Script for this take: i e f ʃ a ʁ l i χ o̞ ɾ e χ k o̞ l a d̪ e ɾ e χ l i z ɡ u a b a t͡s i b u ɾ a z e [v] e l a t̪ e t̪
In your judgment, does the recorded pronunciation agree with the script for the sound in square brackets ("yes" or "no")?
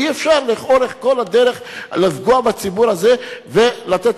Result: yes